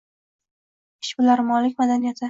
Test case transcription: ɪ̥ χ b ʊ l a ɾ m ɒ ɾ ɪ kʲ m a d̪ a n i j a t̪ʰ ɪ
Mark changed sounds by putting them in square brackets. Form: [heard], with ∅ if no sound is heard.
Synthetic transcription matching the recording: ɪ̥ [ʃ] b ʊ l a ɾ m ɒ [l] ɪ kʲ m a d̪ a n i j a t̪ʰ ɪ